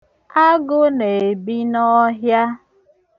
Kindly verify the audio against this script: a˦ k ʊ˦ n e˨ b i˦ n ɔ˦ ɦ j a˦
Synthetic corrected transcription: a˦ ɡ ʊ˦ n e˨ b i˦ n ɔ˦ ɦ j a˦